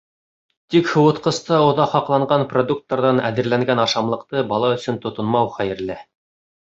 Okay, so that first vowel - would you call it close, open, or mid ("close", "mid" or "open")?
close